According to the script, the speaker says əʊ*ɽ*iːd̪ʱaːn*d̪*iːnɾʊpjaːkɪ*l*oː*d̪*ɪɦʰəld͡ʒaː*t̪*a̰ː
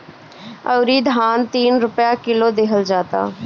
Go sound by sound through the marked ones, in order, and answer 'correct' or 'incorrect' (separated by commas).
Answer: incorrect, incorrect, correct, correct, correct